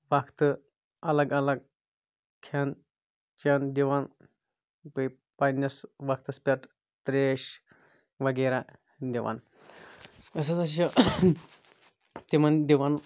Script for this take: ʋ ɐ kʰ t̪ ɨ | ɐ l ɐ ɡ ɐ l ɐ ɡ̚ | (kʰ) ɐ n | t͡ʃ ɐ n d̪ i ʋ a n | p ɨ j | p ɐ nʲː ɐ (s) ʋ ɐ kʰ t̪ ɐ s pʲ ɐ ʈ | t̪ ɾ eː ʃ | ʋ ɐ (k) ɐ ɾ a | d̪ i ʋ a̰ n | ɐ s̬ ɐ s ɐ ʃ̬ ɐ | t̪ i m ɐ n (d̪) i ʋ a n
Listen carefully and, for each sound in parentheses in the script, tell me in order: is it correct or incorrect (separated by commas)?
correct, correct, incorrect, correct